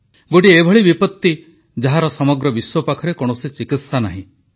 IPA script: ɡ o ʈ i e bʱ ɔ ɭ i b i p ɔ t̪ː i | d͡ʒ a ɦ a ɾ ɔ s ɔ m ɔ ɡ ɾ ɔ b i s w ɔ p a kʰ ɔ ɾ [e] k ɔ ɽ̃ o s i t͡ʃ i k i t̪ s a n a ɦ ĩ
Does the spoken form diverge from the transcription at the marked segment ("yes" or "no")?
no